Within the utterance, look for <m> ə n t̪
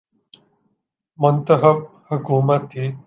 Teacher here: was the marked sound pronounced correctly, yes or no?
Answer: yes